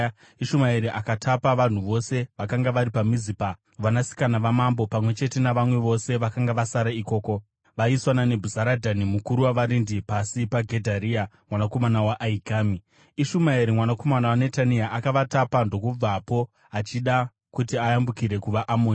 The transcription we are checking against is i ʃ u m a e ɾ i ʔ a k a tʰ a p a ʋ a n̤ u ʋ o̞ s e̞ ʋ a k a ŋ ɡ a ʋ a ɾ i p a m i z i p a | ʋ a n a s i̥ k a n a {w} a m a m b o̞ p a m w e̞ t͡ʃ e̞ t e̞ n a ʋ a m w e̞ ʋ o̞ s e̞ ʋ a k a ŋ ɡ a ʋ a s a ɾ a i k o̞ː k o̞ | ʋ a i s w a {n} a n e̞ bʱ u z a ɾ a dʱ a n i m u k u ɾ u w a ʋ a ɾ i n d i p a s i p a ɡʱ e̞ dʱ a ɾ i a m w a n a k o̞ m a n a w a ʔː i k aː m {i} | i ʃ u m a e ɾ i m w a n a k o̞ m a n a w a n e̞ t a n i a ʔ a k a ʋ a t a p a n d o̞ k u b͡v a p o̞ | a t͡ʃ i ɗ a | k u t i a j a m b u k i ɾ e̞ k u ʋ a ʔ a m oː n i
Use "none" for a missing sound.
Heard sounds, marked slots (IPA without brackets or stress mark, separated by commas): ʋ, n, i